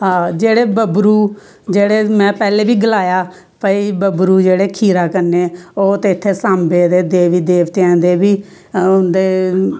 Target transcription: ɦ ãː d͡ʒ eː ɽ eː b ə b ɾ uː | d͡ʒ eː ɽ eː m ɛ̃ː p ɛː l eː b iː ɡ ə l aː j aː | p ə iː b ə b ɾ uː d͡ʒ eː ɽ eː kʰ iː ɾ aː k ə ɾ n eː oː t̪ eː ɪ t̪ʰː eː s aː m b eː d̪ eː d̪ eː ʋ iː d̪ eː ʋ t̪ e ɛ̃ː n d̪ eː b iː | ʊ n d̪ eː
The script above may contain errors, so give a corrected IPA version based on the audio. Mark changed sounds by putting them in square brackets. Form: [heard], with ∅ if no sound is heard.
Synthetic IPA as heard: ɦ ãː d͡ʒ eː ɽ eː b ə b ɾ uː | d͡ʒ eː ɽ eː m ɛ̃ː p ɛː l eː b iː ɡ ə l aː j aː | p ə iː b ə b ɾ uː d͡ʒ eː ɽ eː kʰ iː ɾ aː k ə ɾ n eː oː t̪ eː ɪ t̪ʰː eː s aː m b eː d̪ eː d̪ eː ʋ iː d̪ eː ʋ t̪ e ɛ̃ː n d̪ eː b iː | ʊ n d̪ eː

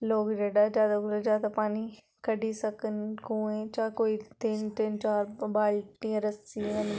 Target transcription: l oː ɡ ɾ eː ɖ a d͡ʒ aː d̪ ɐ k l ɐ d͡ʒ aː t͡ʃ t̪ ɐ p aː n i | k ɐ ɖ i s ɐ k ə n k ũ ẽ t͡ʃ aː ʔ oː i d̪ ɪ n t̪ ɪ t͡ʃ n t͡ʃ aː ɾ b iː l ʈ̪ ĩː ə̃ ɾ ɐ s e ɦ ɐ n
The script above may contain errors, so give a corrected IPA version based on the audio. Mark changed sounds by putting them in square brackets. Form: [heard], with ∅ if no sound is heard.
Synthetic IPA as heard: l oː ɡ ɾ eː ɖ a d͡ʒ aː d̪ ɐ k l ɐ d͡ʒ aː [∅] t̪ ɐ p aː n i | k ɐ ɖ i s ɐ k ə n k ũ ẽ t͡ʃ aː [k] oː i [t̪] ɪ n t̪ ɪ [∅] n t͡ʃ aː ɾ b [aː] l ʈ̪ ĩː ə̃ ɾ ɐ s [i] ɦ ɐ n

